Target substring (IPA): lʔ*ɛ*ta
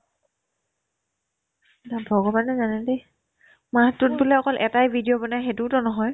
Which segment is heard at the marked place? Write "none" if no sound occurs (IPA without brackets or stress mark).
ɛ